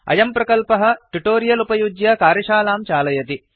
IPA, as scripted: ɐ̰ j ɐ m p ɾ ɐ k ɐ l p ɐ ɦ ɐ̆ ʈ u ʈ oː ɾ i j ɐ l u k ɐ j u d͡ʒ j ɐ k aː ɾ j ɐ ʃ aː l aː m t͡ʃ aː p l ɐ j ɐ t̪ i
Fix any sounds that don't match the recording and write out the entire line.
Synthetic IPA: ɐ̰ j ɐ m p ɾ ɐ k ɐ l p ɐ ɦ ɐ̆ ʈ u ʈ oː ɾ i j ɐ l u p ɐ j u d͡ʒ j ɐ k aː ɾ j ɐ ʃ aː l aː m t͡ʃ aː l ɐ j ɐ t̪ i